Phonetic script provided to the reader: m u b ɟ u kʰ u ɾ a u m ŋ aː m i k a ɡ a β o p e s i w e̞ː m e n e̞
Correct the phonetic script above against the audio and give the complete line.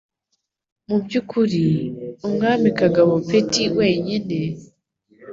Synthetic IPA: m u b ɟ u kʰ u ɾ i u m ŋ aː m i k a ɡ a β o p e t i w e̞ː ɲ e n e̞